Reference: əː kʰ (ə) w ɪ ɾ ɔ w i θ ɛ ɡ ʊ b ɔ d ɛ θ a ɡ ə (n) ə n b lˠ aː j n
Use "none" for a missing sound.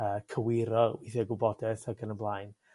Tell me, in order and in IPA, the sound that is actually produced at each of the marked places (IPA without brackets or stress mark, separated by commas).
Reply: ə, n